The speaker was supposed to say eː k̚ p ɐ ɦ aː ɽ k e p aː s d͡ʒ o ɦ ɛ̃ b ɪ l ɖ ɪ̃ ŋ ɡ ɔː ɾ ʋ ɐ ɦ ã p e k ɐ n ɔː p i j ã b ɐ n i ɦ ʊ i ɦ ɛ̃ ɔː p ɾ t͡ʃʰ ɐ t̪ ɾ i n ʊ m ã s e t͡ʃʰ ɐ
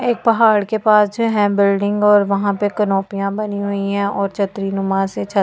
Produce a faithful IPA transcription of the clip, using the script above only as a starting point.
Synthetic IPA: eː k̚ p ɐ ɦ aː ɽ k e p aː s d͡ʒ o ɦ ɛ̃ b ɪ l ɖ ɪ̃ ŋ ɡ ɔː ɾ ʋ ɐ ɦ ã p e k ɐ n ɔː p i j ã b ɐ n i ɦ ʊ i ɦ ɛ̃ ɔː ɾ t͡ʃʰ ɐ t̪ ɾ i n ʊ m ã s e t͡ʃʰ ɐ